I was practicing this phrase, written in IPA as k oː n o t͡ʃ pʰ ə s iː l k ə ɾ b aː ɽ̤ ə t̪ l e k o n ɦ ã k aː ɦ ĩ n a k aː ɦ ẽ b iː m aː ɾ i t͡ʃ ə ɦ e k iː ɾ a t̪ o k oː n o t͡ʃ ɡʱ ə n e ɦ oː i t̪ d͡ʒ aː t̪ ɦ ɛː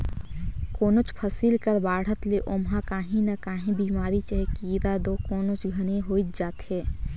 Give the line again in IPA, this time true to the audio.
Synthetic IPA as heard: k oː n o t͡ʃ pʰ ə s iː l k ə ɾ b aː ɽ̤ ə t̪ l e ʔ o m ɦ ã k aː ɦ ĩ n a k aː ɦ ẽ b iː m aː ɾ i t͡ʃ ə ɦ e k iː ɾ a d̪ o k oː n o t͡ʃ ɡʱ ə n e ɦ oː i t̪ d͡ʒ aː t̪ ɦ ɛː